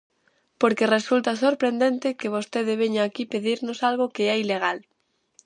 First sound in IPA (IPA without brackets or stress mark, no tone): p